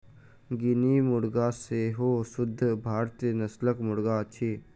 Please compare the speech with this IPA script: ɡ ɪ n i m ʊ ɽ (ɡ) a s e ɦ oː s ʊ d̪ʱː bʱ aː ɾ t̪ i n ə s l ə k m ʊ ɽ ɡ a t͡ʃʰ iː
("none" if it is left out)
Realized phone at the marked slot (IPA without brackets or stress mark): ɡ